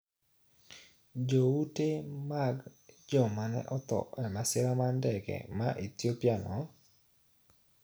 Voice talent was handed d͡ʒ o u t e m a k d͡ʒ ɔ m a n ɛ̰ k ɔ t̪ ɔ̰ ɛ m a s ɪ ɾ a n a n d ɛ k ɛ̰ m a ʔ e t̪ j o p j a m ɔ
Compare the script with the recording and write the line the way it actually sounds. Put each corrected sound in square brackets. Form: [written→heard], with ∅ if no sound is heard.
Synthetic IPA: d͡ʒ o u t e m a [k→ɡ] d͡ʒ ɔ m a n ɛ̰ [k→ʔ] ɔ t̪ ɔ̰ ɛ m a s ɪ ɾ a [n→m] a n d ɛ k ɛ̰ m a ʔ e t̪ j o p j a [m→n] ɔ